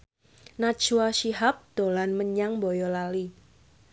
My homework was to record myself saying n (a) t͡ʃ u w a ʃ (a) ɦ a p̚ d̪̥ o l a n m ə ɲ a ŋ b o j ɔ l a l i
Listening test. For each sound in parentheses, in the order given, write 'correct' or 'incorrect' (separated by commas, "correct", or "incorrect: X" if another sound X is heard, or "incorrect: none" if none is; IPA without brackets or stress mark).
correct, incorrect: i